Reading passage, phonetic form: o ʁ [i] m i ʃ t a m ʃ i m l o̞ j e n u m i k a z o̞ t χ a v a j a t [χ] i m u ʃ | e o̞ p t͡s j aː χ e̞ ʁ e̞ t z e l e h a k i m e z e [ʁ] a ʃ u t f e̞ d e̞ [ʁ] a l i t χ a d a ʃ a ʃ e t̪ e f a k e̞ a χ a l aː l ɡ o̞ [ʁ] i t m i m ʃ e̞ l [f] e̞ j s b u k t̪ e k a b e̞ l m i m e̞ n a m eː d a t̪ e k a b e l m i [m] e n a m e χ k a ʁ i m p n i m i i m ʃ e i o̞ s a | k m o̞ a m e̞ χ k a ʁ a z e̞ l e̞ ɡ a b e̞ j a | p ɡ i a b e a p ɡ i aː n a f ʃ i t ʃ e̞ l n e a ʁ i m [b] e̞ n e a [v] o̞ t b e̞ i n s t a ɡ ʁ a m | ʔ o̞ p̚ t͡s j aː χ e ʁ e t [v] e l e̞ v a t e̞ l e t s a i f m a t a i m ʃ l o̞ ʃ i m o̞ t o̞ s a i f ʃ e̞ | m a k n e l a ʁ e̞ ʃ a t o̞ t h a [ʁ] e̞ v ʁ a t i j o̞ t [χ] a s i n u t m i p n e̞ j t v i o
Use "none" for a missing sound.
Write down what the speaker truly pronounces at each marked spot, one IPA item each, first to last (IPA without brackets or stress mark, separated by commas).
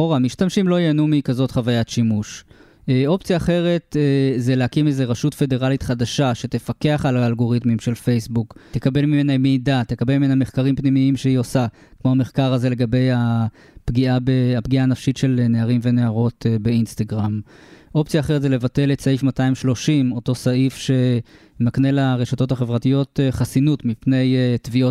a, ʃ, ʁ, ʁ, ʁ, f, m, v, ʁ, z, χ, χ